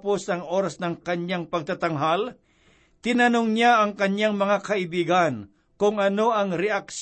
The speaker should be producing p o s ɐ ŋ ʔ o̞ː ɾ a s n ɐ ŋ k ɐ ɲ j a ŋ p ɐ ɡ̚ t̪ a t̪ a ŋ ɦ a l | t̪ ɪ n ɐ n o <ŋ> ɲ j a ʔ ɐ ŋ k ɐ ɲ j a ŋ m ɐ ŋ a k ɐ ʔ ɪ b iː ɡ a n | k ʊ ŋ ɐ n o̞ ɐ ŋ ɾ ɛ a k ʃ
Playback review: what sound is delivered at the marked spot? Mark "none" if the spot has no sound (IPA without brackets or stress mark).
ŋ